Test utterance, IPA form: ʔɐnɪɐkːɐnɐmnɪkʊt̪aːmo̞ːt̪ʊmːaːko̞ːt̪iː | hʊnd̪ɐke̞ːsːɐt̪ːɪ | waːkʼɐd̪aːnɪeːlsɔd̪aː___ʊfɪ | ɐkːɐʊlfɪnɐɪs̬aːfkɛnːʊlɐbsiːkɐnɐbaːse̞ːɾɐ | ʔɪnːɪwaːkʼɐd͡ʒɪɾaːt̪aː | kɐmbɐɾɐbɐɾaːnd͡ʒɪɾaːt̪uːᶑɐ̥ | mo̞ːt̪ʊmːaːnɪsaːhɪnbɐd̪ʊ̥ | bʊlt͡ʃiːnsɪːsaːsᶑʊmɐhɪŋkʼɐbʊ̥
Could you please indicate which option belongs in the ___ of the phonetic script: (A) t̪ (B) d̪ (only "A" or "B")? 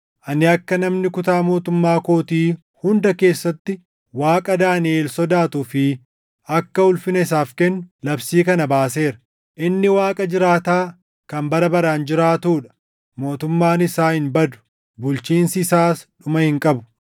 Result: A